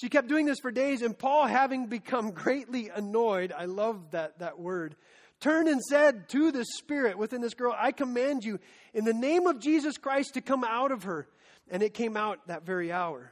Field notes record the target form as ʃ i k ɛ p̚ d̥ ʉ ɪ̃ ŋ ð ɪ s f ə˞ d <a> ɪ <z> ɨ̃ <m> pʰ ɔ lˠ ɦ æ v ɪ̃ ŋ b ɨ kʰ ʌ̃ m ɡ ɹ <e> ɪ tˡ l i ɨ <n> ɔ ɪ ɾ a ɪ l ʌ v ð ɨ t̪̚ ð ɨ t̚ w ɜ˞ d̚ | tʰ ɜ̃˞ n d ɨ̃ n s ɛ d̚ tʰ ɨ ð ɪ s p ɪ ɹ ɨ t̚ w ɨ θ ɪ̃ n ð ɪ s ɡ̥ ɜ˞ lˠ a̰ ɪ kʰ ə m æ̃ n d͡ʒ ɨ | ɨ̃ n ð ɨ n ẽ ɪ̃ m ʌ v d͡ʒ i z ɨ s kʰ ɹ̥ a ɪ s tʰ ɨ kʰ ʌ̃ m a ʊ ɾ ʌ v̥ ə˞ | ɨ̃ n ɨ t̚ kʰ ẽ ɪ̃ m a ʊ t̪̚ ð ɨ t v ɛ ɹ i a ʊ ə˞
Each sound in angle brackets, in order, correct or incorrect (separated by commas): incorrect, correct, incorrect, correct, correct